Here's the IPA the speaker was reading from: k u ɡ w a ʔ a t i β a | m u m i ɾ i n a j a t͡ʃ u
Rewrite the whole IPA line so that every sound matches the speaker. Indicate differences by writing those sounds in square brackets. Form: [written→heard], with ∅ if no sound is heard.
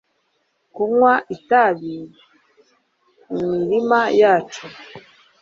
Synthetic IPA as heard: k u [ɡ→ŋ] w a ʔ [a→i] t [i→a] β [a→i] | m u m i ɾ i [n→m] a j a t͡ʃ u